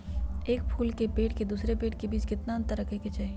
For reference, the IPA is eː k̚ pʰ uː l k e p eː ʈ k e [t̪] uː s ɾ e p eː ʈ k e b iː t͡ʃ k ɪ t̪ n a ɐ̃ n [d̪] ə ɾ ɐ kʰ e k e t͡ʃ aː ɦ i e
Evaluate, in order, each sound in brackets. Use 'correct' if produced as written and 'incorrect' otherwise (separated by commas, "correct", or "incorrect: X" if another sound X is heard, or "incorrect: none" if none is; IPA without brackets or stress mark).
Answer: incorrect: d̪, incorrect: t̪